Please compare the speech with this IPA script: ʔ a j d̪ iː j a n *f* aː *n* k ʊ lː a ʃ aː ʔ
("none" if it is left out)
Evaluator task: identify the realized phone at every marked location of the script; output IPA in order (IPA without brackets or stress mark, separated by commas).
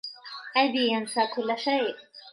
s, none